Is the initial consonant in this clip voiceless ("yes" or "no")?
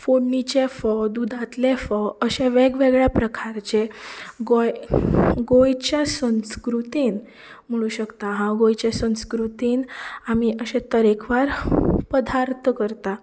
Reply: yes